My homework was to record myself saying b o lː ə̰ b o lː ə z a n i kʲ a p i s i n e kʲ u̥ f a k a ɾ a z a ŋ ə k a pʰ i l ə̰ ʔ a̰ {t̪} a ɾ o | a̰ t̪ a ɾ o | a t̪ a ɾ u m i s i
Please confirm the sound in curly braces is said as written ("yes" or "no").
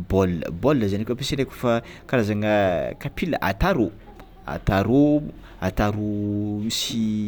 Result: yes